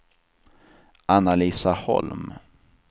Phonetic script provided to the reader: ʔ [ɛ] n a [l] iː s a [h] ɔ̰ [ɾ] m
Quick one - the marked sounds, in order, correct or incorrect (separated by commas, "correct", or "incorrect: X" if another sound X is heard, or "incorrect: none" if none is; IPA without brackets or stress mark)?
incorrect: a, correct, correct, incorrect: l